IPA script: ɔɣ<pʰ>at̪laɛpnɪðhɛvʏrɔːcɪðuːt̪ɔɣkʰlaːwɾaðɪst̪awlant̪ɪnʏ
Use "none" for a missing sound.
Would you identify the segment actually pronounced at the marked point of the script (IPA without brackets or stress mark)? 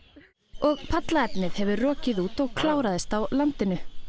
pʰ